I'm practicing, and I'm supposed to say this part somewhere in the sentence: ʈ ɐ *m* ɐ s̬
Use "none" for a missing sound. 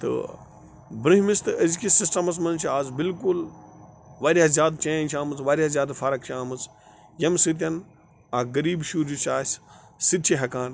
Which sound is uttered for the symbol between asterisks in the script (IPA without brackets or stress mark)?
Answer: m